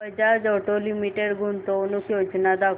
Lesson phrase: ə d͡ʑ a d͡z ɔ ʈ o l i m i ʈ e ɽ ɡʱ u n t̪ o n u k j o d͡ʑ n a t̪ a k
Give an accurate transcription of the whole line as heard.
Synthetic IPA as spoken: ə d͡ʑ a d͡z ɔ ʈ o l i m i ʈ e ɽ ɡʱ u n t̪ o n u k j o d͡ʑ n a d̪ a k